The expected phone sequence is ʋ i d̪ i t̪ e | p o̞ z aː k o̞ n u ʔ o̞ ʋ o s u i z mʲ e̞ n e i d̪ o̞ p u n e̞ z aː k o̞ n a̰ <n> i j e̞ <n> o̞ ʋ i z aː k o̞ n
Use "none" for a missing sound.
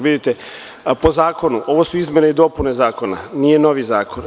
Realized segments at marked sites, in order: n, n

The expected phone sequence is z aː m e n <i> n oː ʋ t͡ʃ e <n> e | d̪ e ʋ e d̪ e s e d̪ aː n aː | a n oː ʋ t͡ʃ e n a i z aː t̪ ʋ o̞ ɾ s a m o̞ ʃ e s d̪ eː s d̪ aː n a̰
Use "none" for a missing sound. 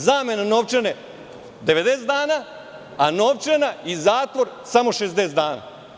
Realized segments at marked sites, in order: a, n

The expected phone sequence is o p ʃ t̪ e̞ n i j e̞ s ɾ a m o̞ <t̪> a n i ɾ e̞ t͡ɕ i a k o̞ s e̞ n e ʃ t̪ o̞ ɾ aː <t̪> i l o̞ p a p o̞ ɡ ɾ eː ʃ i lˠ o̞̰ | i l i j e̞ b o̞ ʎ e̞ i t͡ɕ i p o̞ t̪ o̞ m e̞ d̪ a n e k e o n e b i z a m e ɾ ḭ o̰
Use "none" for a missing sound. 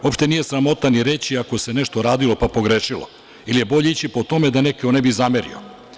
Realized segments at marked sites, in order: t̪, d̪

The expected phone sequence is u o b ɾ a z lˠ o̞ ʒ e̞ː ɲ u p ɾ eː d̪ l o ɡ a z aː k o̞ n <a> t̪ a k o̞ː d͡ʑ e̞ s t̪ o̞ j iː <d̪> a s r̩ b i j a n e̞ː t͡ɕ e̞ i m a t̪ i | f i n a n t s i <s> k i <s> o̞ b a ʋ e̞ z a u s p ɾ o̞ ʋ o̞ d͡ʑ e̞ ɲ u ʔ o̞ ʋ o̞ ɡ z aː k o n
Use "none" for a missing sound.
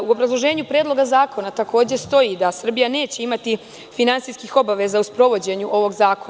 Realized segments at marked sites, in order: a, d̪, s, x

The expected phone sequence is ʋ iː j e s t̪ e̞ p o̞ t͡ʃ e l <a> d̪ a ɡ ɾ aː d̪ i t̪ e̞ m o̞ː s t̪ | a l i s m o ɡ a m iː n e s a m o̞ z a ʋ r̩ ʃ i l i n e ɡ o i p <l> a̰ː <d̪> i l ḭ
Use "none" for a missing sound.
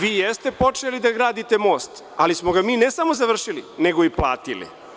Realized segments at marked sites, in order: i, l, t̪

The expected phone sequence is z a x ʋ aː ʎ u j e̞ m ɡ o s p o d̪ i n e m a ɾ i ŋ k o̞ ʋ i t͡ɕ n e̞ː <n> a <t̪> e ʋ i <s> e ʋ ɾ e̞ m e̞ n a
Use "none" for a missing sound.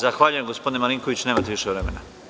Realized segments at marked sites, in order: m, t̪, ʃ

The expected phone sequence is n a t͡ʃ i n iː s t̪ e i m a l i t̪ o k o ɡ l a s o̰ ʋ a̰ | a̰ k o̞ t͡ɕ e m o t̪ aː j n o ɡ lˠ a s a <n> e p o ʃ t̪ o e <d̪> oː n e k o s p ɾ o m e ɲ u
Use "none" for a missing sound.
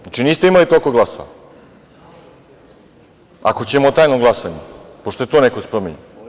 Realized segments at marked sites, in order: ɲ, t̪

